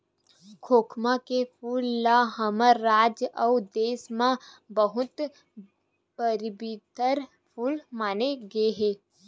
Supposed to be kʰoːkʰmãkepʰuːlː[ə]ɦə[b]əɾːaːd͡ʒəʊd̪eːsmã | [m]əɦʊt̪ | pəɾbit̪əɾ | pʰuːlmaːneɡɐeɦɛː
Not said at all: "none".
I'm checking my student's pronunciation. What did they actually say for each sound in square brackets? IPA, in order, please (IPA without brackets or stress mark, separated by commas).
a, m, b